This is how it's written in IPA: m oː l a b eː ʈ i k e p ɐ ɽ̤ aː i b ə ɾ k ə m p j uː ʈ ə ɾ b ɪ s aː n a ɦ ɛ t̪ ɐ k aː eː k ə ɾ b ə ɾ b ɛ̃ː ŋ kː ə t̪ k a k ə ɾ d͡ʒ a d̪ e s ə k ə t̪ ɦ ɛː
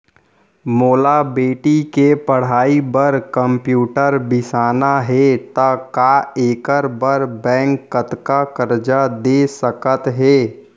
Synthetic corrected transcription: m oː l a b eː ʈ i k e p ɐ ɽ̤ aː i b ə ɾ k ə m p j uː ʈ ə ɾ b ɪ s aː n a ɦ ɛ t̪ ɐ k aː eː k ə ɾ b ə ɾ b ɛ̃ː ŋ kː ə t̪ k a k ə ɾ d͡ʒ a d̪ e s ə k ə t̪ ɦ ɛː